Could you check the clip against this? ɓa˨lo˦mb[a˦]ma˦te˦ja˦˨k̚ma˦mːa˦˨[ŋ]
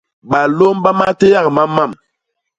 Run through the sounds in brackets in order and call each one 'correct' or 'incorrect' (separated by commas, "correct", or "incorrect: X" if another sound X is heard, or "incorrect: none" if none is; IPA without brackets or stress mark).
correct, incorrect: m